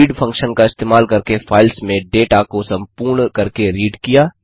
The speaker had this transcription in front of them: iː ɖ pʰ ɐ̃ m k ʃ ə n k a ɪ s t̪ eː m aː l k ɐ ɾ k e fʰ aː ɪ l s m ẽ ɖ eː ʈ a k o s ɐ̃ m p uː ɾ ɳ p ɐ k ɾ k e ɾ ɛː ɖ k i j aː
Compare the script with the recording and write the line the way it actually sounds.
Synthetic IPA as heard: iː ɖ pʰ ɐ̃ ŋ k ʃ ə n k a ɪ s t̪ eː m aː l k ɐ ɾ k e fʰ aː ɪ l s m ẽ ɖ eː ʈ a k o s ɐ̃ m p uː ɾ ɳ k ɐ ɾ k e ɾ iː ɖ k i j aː